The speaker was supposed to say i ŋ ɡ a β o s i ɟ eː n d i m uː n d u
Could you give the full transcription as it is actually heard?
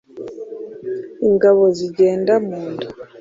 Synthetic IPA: i ŋ ɡ a β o z i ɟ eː n d a m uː n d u